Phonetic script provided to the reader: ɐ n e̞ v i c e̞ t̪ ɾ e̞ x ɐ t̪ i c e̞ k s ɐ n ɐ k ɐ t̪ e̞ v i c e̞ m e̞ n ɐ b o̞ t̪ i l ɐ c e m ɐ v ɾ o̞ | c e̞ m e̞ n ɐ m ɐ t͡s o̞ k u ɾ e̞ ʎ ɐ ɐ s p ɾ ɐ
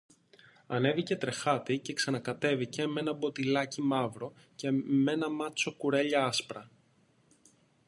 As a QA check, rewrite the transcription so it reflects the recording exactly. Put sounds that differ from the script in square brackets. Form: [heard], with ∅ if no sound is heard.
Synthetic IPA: ɐ n e̞ v i c e̞ t̪ ɾ e̞ x ɐ t̪ i c e̞ k s ɐ n ɐ k ɐ t̪ e̞ v i c e̞ m e̞ n ɐ b o̞ t̪ i l ɐ c [i] m ɐ v ɾ o̞ | c e̞ m e̞ n ɐ m ɐ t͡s o̞ k u ɾ e̞ ʎ ɐ ɐ s p ɾ ɐ

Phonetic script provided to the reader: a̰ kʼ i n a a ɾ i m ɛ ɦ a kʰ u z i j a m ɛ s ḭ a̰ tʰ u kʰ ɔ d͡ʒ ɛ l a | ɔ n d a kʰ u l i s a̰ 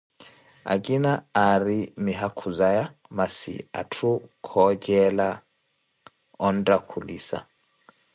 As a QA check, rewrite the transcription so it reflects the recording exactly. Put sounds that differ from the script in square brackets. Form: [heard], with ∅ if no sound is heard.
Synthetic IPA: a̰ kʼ i n a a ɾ i m [i] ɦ a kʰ u z [a] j a m [a] s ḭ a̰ tʰ u kʰ ɔ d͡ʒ ɛ l a | ɔ n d a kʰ u l i s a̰

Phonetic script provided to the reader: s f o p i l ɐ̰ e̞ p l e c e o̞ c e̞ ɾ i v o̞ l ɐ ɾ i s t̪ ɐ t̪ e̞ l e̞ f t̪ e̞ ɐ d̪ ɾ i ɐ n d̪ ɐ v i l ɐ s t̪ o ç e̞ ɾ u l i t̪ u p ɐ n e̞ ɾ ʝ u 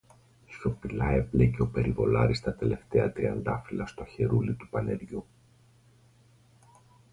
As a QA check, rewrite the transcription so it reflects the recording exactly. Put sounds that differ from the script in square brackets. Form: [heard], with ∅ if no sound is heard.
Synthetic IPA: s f o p i l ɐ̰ e̞ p l e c e o̞ [p] e̞ ɾ i v o̞ l ɐ ɾ i s t̪ ɐ t̪ e̞ l e̞ f t̪ e̞ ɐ [t̪] ɾ i ɐ n d̪ ɐ [f] i l ɐ s t̪ o ç e̞ ɾ u l i t̪ u p ɐ n e̞ ɾ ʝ u

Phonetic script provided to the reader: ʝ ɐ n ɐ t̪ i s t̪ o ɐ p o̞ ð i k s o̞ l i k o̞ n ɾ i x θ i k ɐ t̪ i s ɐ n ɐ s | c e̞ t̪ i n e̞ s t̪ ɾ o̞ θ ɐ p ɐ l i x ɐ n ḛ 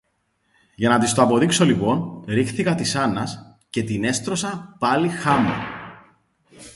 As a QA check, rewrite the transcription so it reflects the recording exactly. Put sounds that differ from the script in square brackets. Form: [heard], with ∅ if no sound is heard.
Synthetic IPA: ʝ ɐ n ɐ t̪ i s t̪ o ɐ p o̞ ð i k s o̞ l i [p] o̞ n ɾ i x θ i k ɐ t̪ i s ɐ n ɐ s | c e̞ t̪ i n e̞ s t̪ ɾ o̞ [s] ɐ p ɐ l i x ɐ [m] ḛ

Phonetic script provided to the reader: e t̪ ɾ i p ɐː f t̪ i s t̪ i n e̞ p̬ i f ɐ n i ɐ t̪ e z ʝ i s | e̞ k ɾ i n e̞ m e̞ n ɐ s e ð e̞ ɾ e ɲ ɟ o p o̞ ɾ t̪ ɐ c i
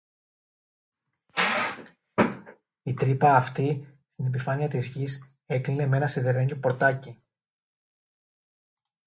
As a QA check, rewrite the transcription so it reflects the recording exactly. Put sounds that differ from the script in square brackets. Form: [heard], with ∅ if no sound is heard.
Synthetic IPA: [i] t̪ ɾ i p ɐː f t̪ i s t̪ i n e̞ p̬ i f ɐ n i ɐ t̪ [i] z ʝ i s | e̞ k [l] i n e̞ m e̞ n ɐ s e ð e̞ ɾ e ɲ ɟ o p o̞ ɾ t̪ ɐ c i

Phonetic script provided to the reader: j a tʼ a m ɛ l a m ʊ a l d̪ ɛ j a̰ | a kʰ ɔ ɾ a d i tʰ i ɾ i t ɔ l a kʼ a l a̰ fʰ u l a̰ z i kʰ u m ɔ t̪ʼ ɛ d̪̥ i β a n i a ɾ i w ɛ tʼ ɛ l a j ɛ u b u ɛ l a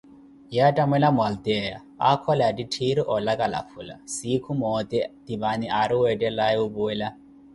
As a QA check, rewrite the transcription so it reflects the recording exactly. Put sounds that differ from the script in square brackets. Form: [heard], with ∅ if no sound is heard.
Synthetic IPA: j a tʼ a m ɛ l a m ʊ a l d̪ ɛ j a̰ | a kʰ ɔ [l] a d i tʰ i ɾ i [ʔ] ɔ l a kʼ a l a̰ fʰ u l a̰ [s] i kʰ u m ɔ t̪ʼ ɛ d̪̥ i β a n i a ɾ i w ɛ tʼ ɛ l a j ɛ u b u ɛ l a

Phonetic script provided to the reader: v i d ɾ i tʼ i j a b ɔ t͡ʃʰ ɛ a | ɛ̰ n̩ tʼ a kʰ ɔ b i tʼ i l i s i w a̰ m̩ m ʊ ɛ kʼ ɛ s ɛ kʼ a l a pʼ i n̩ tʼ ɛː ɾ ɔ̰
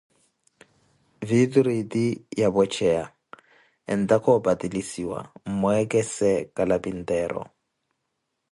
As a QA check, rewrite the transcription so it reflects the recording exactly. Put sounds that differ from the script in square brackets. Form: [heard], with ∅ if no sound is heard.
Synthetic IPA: v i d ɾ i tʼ i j a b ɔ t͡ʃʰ ɛ a | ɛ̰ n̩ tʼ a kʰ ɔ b [a] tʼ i l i s i w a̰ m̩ m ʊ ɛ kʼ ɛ s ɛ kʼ a l a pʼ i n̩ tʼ ɛː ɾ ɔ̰

